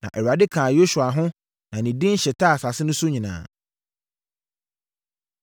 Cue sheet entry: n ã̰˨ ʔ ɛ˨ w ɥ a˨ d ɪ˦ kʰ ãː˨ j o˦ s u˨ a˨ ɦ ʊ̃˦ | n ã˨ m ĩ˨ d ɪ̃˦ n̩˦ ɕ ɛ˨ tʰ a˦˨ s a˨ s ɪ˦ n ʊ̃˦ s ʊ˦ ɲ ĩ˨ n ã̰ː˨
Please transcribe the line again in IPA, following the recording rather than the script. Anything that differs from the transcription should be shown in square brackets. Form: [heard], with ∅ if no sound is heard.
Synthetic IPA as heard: n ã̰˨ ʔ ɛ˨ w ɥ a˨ d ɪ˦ kʰ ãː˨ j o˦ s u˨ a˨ ɦ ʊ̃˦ | n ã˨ [n] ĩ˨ d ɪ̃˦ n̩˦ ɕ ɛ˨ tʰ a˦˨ s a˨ s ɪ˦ n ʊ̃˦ s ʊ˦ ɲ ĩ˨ n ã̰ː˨